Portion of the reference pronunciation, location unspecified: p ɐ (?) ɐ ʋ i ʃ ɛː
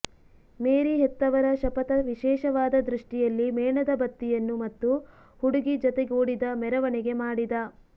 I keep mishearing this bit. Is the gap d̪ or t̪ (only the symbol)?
t̪